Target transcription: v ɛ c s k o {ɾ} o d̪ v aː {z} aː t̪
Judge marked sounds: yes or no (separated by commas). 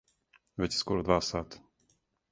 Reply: yes, no